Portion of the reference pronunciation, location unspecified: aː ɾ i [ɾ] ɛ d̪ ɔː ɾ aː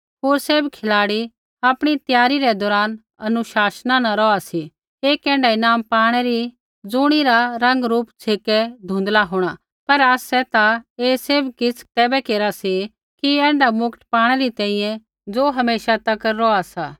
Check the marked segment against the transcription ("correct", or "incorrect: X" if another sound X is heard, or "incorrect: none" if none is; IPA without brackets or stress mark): correct